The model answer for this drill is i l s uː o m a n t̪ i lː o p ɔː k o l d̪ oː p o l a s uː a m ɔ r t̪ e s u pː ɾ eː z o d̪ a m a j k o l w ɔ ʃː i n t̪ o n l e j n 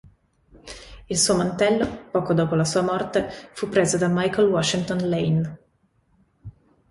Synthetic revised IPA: i l s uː o m a n t̪ ɛ lː o p ɔː k o d̪ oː p o l a s uː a m ɔ r t̪ e f u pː ɾ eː z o d̪ a m a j k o l w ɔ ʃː i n t̪ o n l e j n